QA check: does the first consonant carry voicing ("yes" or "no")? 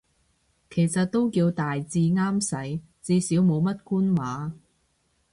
no